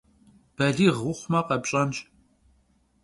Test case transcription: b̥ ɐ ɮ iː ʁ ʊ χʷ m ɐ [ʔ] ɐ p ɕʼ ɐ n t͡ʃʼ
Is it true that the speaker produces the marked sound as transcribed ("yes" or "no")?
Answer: no